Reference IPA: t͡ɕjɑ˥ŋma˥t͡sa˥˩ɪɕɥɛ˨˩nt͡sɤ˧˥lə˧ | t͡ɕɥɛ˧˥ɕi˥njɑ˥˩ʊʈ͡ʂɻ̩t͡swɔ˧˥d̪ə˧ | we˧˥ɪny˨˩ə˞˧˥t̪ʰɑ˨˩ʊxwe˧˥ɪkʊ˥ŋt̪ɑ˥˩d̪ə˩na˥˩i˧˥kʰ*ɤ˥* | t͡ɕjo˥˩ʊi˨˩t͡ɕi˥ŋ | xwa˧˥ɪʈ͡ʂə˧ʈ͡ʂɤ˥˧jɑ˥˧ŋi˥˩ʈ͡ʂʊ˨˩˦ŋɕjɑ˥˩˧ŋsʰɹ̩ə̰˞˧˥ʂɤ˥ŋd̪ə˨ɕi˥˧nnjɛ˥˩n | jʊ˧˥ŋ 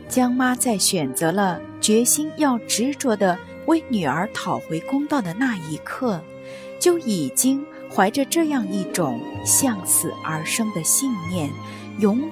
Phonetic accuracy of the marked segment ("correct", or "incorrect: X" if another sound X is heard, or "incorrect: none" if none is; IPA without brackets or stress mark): incorrect: ɤ˥˩